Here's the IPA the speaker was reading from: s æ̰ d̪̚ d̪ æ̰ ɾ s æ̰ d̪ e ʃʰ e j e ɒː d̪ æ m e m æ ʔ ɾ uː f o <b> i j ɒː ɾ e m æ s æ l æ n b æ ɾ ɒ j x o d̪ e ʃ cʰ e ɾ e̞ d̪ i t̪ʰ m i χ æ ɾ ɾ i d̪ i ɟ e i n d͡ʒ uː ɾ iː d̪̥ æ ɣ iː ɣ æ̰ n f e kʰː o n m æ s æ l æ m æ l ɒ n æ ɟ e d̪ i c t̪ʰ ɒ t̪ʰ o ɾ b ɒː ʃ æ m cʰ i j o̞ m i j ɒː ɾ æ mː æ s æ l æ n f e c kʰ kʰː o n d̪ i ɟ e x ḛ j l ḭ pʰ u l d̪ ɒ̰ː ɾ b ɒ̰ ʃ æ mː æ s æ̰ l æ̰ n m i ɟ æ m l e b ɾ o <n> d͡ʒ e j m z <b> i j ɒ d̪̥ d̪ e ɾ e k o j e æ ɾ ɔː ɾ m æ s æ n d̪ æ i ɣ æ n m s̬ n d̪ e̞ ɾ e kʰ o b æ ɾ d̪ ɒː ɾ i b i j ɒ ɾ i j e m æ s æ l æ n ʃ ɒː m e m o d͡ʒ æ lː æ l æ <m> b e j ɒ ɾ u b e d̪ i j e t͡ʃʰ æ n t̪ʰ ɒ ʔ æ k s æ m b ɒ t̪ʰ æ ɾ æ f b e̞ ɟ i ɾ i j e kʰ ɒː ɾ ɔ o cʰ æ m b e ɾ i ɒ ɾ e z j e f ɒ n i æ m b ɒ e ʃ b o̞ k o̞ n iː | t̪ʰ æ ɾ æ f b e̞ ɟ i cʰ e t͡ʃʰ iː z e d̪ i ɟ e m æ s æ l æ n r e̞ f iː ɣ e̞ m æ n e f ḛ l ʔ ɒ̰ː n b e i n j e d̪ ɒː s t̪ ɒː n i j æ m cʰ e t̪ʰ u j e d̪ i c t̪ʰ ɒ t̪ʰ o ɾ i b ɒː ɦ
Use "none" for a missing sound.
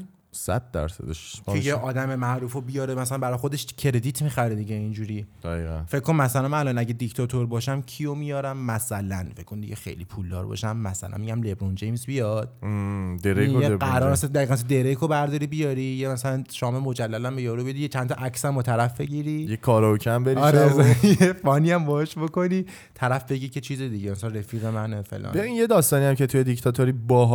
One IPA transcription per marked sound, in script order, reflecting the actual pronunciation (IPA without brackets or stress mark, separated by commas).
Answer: b, n, b, m